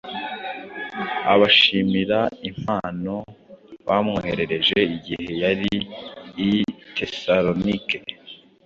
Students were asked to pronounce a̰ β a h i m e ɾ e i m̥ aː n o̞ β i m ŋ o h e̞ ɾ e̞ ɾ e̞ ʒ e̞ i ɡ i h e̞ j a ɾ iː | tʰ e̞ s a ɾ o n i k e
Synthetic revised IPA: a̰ β a ʃ i m i ɾ a i m̥ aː n o̞ β a m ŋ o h e̞ ɾ e̞ ɾ e̞ ʒ e̞ i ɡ i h e̞ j a ɾ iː | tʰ e̞ s a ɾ o n i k e

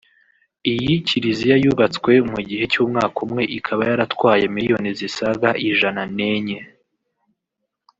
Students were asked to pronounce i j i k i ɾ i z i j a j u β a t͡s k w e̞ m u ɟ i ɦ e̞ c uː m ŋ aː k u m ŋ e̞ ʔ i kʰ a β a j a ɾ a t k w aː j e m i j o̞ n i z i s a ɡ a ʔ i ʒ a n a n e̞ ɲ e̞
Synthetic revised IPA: i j i c i ɾ i z i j a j u β a t͡s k w e̞ m u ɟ i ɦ e̞ c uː m ŋ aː k u m ŋ e̞ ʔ i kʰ a β a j a ɾ a t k w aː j e m i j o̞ n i z i s a ɡ a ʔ i ʒ a n a n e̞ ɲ e̞

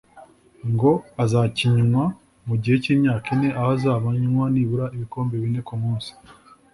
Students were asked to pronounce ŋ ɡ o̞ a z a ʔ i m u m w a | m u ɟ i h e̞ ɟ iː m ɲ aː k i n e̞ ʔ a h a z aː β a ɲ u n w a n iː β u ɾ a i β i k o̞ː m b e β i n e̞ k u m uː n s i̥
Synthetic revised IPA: ŋ ɡ o̞ a z a c i ɲ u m w a | m u ɟ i h e̞ c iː m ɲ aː k i n e̞ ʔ a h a z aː β a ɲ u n w a n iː β u ɾ a i β i k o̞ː m b e β i n e̞ k u m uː n s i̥

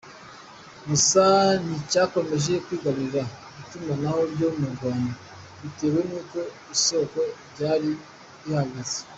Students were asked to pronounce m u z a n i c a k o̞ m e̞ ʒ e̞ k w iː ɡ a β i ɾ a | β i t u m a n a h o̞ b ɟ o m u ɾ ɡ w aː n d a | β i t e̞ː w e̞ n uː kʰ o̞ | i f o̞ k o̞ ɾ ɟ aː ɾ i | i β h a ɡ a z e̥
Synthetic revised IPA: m u s a n i c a k o̞ m e̞ ʒ e̞ k w iː ɡ a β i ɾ a | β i t u m a n a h o̞ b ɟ o m u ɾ ɡ w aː n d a | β i t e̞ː w e̞ n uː k o̞ | i s o̞ k o̞ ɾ ɟ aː ɾ i | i h a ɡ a z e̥

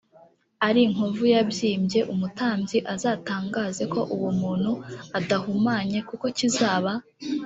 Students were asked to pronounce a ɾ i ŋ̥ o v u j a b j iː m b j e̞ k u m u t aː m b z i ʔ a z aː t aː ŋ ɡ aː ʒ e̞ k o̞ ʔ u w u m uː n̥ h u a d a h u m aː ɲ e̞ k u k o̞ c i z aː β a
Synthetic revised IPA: a ɾ i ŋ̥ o v u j a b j iː m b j e̞ ʔ u m u t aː m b z i ʔ a z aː t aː ŋ ɡ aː z e̞ k o̞ ʔ u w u m uː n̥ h u a d a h u m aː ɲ e̞ k u k o̞ c i z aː β a

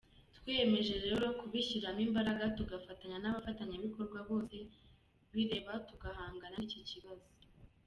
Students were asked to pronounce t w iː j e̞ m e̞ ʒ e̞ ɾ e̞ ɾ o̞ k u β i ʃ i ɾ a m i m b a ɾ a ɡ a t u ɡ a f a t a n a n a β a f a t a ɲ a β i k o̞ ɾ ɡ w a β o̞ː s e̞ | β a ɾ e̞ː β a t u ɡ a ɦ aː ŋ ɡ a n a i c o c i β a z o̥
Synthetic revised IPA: t w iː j e̞ m e̞ ʒ e̞ ɾ e̞ ɾ o̞ k u β i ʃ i ɾ a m i m b a ɾ a ɡ a t u ɡ a f a t a ɲ a n a β a f a t a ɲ a β i k o̞ ɾ ɡ w a β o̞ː s e̞ | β i ɾ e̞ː β a t u ɡ a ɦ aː ŋ ɡ a n a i c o c i β a z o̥

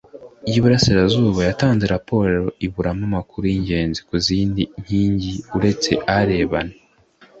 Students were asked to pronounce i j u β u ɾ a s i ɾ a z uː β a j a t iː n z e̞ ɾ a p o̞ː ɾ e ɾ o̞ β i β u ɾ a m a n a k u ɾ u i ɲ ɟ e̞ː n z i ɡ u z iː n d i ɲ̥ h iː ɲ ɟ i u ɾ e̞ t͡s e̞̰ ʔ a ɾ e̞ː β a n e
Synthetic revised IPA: i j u β u ɾ a s i ɾ a z uː β a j a t aː n z e̞ ɾ a p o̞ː ɾ e ɾ o̞ i β u ɾ a m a m a k u ɾ u i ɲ ɟ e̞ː n z i k u z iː n d i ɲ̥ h iː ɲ ɟ i u ɾ e̞ t͡s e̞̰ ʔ a ɾ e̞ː β a n e

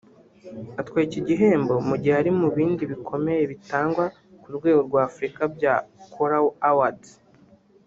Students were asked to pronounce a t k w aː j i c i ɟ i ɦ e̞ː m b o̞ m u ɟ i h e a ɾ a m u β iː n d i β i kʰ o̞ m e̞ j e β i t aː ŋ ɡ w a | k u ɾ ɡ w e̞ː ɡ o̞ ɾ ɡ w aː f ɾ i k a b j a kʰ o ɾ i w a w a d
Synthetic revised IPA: a t k w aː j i c i ɟ i ɦ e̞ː m b o̞ m u ɟ i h e a ɾ i m u β iː n d i β i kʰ o̞ m e̞ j e β i t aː ŋ ɡ w a | k u ɾ ɡ w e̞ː ɡ o̞ ɾ ɡ w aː f ɾ i k a b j a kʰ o ɾ a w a w a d

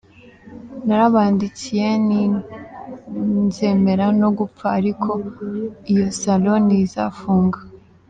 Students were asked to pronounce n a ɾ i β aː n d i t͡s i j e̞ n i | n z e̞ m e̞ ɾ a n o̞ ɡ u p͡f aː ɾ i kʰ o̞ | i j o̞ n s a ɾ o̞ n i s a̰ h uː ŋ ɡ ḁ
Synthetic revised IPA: n a ɾ a β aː n d i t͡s i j e̞ n i | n z e̞ m e̞ ɾ a n o̞ ɡ u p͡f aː ɾ i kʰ o̞ | i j o̞ s a l o̞ n i z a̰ f uː ŋ ɡ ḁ

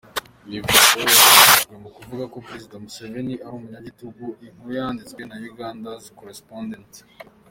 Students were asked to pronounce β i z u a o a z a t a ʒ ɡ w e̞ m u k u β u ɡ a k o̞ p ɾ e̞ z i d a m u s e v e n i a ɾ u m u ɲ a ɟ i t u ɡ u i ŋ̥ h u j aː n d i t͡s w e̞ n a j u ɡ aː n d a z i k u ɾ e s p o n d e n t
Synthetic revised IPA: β i v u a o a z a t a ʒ ɡ w e̞ m u k u v u ɡ a k o̞ p ɾ e̞ z i d a m u s e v e n i a ɾ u m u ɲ a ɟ i t u ɡ u i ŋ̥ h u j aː n d i t͡s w e̞ n a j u ɡ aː n d a z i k o ɾ e s p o n d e n t

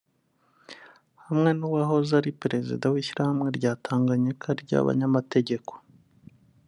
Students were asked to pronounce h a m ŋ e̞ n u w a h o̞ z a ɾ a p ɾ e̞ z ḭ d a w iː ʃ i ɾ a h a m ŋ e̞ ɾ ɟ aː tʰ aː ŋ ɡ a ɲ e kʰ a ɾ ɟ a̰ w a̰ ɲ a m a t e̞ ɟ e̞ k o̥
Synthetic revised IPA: h a m ŋ e̞ n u w a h o̞ z a ɾ i p ɾ e̞ z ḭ d a w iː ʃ i ɾ a h a m ŋ e̞ ɾ ɟ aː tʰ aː ŋ ɡ a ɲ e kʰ a ɾ ɟ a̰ β a̰ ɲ a m a t e̞ ɟ e̞ k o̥

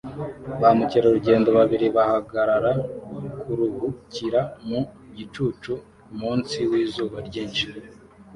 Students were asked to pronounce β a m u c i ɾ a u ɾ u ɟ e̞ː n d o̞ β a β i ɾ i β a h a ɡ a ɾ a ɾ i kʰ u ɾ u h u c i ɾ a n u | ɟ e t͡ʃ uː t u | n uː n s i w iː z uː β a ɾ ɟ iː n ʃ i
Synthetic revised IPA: β a m u c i ɾ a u ɾ u ɟ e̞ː n d o̞ β a β i ɾ i β a h a ɡ a ɾ a ɾ a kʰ u ɾ u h u c i ɾ a m u | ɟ i t͡ʃ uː t͡ʃ u | m uː n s i w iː z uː β a ɾ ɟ iː n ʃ i

